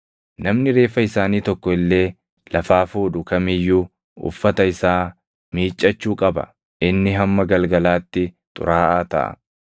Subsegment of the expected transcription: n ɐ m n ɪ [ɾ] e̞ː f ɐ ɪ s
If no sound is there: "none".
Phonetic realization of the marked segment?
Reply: ɾ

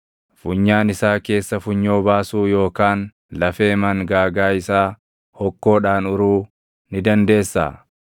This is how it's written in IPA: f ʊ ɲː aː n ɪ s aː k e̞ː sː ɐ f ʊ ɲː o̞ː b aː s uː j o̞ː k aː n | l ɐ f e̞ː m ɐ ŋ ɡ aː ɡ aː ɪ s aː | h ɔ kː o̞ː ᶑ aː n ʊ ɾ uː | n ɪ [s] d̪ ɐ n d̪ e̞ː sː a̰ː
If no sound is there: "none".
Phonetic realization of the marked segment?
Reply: none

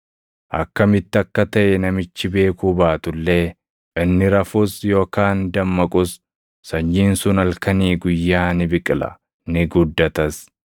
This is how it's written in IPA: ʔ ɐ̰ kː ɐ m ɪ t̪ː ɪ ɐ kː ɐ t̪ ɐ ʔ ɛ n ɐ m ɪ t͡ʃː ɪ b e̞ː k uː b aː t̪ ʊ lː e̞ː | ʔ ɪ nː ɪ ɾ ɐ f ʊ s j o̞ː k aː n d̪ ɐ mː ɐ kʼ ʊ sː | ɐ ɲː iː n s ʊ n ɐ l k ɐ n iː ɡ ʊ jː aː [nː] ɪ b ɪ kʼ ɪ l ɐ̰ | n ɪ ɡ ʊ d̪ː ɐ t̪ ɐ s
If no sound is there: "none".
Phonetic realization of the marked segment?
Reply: n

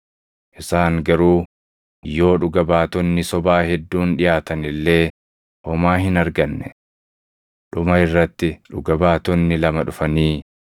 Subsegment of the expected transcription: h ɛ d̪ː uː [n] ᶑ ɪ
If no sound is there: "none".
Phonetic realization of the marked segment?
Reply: n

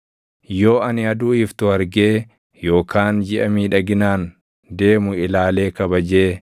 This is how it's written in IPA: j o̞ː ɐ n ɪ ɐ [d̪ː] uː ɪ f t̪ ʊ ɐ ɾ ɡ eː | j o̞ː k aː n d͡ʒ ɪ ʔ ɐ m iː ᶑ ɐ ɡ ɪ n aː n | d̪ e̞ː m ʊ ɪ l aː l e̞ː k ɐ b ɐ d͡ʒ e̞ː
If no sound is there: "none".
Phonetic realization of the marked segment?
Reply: d̪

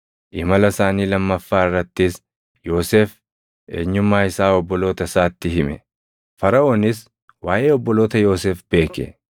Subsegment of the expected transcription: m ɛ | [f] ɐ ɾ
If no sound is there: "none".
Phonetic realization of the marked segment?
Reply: f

